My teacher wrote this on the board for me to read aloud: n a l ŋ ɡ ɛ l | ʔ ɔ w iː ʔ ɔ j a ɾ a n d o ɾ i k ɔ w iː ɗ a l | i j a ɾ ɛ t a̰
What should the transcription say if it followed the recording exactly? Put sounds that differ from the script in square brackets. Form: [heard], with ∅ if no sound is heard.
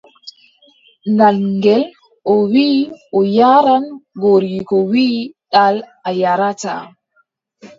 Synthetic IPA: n a l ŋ ɡ ɛ l | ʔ ɔ w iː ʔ ɔ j a ɾ a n [ɡ] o ɾ i k ɔ w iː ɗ a l | [a] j a ɾ [a] t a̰